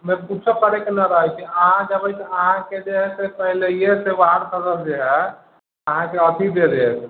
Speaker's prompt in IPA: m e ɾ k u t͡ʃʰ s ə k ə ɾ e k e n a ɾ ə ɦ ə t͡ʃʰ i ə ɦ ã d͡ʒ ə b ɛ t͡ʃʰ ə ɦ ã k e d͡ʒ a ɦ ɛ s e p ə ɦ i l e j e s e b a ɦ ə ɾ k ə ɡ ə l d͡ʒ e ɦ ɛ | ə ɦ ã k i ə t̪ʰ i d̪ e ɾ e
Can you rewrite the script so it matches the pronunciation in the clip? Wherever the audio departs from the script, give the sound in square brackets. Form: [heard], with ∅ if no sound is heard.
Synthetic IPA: m e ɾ k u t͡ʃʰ s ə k ə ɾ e k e n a ɾ ə ɦ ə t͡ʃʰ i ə ɦ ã d͡ʒ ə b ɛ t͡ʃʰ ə ɦ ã k e d͡ʒ [e] ɦ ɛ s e p ə ɦ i l e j e s e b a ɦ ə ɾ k ə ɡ ə l d͡ʒ e ɦ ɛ | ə ɦ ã k [e] ə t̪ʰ i d̪ e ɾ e